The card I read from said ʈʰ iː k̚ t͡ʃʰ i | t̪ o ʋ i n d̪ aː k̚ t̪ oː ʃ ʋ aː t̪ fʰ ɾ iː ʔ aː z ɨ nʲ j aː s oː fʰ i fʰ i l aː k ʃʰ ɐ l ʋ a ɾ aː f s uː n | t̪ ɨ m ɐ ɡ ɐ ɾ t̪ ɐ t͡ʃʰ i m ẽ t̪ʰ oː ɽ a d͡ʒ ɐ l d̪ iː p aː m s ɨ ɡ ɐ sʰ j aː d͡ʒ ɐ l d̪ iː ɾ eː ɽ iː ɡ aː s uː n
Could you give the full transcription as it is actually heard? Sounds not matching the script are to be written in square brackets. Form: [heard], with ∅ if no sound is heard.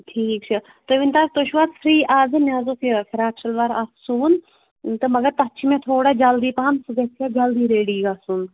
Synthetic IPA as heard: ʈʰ iː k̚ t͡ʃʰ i | t̪ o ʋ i n [t̪] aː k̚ t̪ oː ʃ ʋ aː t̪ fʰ ɾ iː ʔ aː z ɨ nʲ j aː [z] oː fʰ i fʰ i [ɾ] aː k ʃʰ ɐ l ʋ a ɾ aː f s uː n | t̪ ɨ m ɐ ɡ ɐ ɾ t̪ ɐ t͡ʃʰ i m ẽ t̪ʰ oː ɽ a d͡ʒ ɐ l d̪ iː p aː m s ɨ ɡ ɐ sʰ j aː d͡ʒ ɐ l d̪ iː ɾ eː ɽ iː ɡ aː s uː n